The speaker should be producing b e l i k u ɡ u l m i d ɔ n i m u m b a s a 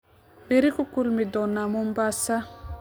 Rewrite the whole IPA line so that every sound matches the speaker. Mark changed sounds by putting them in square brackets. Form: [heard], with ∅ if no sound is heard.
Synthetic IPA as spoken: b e [ɾ] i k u [k] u l m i d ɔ n [a] m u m b a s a